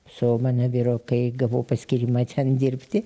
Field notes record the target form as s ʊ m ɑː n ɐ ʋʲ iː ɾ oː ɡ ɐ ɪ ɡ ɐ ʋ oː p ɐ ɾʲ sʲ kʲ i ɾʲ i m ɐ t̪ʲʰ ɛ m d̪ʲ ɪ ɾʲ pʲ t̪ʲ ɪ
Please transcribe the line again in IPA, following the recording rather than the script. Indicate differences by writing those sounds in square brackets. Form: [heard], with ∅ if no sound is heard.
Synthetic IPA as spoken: s ʊ m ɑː n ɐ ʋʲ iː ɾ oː [k] ɐ ɪ ɡ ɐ ʋ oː p ɐ [∅] sʲ kʲ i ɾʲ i m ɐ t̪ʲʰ ɛ [n] d̪ʲ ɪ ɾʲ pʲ t̪ʲ ɪ

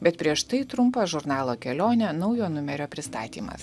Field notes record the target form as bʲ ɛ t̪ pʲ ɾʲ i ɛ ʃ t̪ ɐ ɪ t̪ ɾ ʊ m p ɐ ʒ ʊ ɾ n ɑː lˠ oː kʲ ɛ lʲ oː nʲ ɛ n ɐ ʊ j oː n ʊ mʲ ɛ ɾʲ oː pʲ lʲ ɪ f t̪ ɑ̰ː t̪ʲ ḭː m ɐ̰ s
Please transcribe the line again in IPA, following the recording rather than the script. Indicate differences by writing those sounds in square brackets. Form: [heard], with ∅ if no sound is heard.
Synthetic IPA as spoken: bʲ ɛ t̪ pʲ ɾʲ i ɛ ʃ t̪ ɐ ɪ t̪ ɾ ʊ m p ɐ ʒ ʊ ɾ n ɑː lˠ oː kʲ ɛ lʲ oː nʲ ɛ n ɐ ʊ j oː n ʊ mʲ ɛ ɾʲ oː pʲ [ɾʲ] ɪ [s] t̪ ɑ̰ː t̪ʲ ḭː m ɐ̰ s

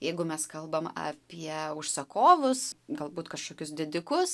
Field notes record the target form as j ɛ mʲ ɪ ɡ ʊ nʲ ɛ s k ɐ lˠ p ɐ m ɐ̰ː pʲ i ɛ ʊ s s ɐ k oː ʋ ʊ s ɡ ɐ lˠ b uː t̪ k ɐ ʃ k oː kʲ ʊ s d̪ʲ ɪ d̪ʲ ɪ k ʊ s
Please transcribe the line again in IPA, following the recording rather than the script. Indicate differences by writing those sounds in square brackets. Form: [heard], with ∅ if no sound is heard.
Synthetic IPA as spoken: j ɛ [∅] ɪ ɡ ʊ [mʲ] ɛ s k ɐ lˠ [b] ɐ m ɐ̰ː pʲ i ɛ ʊ [ʃ] s ɐ k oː ʋ ʊ s ɡ ɐ lˠ b uː t̪ k ɐ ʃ k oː kʲ ʊ s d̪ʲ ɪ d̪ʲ ɪ k ʊ s

